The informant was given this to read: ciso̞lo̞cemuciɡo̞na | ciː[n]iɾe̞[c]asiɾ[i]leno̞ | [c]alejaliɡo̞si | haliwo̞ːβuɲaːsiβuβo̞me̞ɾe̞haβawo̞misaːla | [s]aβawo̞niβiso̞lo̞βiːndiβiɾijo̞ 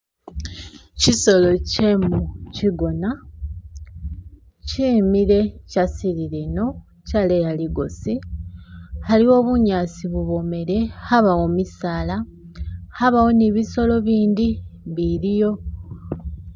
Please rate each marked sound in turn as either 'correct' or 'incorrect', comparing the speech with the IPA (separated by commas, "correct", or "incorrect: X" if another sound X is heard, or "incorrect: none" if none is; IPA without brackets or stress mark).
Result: incorrect: m, correct, correct, correct, incorrect: h